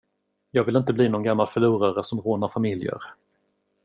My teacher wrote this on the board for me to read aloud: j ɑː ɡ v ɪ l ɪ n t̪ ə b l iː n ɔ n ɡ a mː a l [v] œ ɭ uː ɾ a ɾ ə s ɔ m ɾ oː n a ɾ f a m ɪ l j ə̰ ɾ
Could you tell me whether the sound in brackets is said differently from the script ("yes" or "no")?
yes